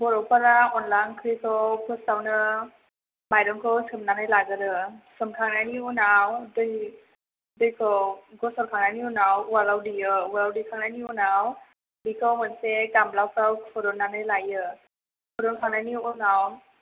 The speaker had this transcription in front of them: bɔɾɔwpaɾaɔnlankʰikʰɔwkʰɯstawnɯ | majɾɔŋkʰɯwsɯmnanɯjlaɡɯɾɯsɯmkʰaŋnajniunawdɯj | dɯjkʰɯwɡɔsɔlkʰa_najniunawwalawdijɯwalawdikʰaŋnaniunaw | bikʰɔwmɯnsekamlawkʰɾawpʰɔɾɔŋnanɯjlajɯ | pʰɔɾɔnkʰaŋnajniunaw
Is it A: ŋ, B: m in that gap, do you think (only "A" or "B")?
A